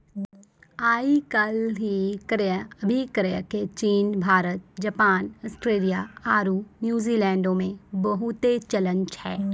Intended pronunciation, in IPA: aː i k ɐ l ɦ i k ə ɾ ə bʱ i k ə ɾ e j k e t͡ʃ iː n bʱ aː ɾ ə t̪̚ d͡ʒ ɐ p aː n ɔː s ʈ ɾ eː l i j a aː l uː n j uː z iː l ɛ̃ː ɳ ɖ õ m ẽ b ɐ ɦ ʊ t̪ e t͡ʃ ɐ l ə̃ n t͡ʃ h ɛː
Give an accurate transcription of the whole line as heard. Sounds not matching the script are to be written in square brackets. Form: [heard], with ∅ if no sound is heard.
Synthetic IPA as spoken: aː i k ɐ l ɦ i k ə ɾ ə bʱ i k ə ɾ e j k e t͡ʃ iː n bʱ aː ɾ ə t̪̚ d͡ʒ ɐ p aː n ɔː s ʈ ɾ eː l i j a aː [ɾ] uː n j uː z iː l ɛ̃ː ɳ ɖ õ m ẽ b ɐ ɦ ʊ t̪ e t͡ʃ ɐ l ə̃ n t͡ʃ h ɛː